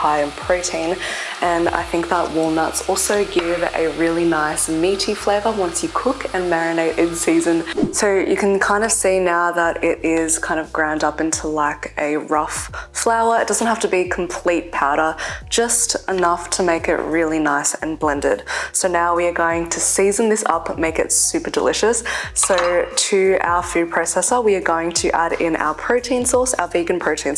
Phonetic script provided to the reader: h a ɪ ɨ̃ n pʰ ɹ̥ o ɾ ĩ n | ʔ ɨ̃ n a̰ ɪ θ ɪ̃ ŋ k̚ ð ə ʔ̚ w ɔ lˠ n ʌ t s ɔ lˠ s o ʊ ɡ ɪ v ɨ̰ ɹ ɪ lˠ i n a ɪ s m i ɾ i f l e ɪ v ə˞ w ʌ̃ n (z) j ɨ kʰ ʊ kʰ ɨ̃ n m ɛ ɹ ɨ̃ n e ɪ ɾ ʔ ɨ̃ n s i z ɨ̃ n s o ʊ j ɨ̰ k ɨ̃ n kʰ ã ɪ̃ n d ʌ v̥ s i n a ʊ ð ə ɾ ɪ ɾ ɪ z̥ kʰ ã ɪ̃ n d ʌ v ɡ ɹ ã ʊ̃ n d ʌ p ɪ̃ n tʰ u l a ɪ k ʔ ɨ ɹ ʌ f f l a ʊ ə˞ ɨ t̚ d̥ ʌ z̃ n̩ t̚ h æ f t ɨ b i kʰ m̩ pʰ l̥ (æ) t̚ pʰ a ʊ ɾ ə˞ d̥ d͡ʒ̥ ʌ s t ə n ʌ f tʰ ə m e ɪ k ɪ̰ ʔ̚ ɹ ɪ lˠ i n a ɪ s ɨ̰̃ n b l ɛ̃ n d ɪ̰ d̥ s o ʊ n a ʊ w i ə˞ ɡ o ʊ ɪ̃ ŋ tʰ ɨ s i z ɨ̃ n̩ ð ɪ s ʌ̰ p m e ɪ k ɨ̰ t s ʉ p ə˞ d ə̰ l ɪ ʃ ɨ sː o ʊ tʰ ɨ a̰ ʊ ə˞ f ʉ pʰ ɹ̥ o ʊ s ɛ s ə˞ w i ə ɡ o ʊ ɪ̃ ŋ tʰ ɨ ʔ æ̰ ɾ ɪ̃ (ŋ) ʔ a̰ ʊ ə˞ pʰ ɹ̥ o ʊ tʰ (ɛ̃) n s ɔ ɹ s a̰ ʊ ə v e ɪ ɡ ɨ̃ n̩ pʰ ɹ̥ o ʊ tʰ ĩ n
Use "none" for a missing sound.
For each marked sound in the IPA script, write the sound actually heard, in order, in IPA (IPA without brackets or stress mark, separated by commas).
s, i, n, ĩ